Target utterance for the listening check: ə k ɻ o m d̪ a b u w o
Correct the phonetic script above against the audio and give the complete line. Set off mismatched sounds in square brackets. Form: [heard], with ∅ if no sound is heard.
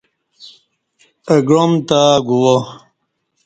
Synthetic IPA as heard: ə [ɡ] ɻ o m [t̪] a [ɡ] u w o

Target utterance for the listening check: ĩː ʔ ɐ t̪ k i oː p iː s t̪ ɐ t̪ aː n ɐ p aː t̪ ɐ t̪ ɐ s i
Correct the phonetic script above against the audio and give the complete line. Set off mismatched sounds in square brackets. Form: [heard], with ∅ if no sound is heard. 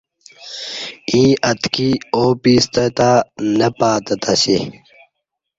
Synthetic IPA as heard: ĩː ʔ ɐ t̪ k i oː p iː s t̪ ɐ t̪ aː n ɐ p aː t̪ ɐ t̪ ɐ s i

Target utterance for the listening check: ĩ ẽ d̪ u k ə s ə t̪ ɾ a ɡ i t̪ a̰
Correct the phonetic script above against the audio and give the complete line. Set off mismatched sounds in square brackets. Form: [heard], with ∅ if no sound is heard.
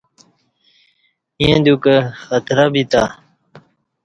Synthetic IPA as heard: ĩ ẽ d̪ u k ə [x] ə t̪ ɾ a [b] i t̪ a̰

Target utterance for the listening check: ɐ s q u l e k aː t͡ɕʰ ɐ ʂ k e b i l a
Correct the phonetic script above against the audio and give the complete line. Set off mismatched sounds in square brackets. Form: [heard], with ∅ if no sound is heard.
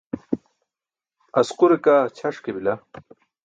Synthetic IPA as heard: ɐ s q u [ɾ] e k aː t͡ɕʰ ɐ ʂ k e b i l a

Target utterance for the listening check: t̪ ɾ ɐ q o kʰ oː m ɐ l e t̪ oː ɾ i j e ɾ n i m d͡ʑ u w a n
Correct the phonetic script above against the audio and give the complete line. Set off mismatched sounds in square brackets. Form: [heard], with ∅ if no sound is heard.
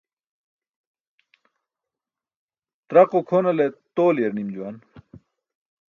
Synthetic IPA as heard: t̪ ɾ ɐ q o kʰ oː [n] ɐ l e t̪ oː [l] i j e ɾ n i m d͡ʑ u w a n

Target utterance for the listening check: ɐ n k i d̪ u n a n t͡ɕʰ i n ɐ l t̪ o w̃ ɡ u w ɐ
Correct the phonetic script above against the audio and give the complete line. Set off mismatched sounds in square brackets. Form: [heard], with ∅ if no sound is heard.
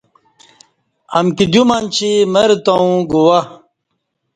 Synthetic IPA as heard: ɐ [m] k i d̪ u [m] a n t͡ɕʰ i [m] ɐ [ɾ] t̪ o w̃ ɡ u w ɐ

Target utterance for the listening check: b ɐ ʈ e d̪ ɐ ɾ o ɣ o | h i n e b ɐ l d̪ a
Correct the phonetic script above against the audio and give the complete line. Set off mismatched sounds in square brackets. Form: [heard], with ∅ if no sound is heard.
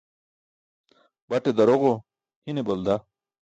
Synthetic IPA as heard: b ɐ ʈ e d̪ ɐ ɾ o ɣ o | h i n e b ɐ l d̪ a

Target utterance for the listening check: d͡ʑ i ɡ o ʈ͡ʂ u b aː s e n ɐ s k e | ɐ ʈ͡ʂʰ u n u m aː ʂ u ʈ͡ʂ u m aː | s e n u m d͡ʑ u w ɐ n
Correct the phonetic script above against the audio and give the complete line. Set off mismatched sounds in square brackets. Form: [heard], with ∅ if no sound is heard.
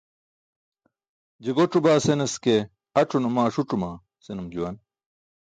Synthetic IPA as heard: d͡ʑ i ɡ o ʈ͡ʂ u b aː s e n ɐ s k e | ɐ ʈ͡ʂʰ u n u m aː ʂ u ʈ͡ʂ u m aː | s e n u m d͡ʑ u w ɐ n

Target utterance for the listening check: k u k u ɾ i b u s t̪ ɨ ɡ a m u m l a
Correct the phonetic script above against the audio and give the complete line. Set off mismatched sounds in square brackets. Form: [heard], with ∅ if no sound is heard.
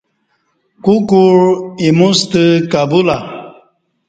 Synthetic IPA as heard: k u k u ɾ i [m] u s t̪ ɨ [k] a [b] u [∅] l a

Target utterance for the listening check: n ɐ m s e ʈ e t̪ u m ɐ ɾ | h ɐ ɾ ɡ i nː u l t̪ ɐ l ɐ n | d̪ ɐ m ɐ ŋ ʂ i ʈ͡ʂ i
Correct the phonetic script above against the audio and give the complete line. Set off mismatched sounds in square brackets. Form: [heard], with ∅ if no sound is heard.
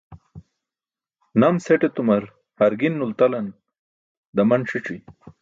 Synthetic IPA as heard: n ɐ m s e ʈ e t̪ u m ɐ ɾ | h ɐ ɾ ɡ i nː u l t̪ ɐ l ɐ n | d̪ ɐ m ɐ [n] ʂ i ʈ͡ʂ i

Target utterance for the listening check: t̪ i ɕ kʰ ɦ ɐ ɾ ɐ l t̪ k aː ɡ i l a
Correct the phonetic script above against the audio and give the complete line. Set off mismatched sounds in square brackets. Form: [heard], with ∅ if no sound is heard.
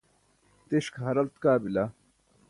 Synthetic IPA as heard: t̪ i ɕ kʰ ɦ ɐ ɾ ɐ l t̪ k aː [b] i l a

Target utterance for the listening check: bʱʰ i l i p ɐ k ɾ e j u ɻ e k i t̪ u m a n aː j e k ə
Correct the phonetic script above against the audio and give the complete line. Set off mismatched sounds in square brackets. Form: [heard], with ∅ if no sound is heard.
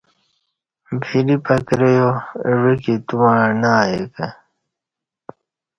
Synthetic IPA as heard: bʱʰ i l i p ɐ k ɾ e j [o] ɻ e k i t̪ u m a n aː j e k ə

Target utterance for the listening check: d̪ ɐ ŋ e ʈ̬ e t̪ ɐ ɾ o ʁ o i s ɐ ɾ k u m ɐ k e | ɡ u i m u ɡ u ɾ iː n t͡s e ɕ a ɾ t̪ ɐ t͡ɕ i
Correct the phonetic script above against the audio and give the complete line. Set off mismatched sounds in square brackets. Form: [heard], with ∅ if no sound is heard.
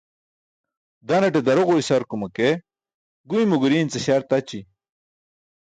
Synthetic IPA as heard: d̪ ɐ [n] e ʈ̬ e [d̪] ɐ ɾ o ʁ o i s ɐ ɾ k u m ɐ k e | ɡ u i m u ɡ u ɾ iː n t͡s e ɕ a ɾ t̪ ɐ t͡ɕ i

